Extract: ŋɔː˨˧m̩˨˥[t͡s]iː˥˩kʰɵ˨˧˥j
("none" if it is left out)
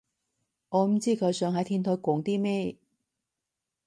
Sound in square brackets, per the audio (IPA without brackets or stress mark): t͡s